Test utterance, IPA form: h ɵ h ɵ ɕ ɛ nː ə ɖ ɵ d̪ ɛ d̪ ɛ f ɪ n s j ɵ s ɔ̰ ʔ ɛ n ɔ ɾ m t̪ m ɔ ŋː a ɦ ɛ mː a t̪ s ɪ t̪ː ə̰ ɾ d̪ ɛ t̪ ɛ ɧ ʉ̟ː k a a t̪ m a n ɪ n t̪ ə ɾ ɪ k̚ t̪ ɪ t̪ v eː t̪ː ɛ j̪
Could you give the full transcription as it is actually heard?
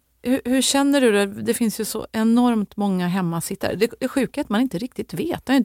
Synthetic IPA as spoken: h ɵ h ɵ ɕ ɛ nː ə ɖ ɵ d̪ ɛ d̪ ɛ f ɪ n s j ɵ s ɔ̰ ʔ ɛ n ɔ ɾ m t̪ m ɔ ŋː a ɦ ɛ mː a s ɪ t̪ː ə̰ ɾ d̪ ɛ d̪ ɛ ɧ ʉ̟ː k a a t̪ m a n ɪ n t̪ ə ɾ ɪ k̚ t̪ ɪ t̪ v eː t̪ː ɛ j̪